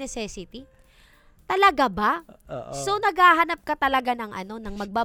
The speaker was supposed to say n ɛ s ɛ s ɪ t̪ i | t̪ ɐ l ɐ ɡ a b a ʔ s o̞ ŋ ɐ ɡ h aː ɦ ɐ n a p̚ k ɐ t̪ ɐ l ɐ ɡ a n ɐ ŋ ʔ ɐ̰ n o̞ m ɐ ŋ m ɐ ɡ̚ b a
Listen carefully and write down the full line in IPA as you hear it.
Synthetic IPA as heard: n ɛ s ɛ s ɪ t̪ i | t̪ ɐ l ɐ ɡ a b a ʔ s o̞ n ɐ ɡ h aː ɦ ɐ n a p̚ k ɐ t̪ ɐ l ɐ ɡ a n ɐ ŋ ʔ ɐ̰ n o̞ n ɐ ŋ m ɐ ɡ̚ b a